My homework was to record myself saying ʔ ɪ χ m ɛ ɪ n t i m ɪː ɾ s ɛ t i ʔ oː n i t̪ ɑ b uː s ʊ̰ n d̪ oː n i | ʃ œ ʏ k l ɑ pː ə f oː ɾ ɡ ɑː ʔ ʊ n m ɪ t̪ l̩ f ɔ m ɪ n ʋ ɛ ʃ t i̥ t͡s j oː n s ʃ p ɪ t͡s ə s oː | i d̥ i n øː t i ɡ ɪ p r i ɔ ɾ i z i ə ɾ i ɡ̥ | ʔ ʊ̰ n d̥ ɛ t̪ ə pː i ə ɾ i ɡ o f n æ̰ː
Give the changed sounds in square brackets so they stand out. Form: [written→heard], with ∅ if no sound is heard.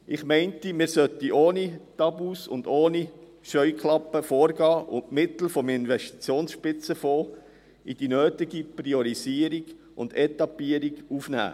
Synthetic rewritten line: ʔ ɪ χ m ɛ ɪ n t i m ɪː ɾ s [ɛ→œ] t i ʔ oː n i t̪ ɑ b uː s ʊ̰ n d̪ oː n i | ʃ œ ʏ k l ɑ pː ə f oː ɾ ɡ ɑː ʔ ʊ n m ɪ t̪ l̩ f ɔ m ɪ n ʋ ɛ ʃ t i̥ t͡s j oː n s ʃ p ɪ t͡s ə [s→f] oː | i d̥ i n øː t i ɡ [ɪ→i] p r i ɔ ɾ i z i ə ɾ i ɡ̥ | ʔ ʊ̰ n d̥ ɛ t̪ [ə→ɑ] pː i ə ɾ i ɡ [o→u] f n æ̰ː